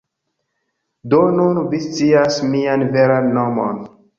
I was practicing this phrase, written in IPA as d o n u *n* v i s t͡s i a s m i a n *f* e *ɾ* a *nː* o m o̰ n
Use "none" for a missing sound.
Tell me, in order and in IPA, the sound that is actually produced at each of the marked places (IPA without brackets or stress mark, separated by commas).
n, v, ɾ, nː